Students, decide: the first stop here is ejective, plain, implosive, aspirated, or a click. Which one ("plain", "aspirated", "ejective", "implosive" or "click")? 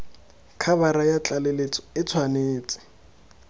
aspirated